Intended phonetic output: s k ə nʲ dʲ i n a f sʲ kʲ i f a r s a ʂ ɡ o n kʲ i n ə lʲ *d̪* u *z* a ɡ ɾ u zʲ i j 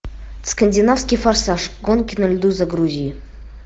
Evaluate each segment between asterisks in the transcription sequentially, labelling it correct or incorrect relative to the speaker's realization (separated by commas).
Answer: correct, correct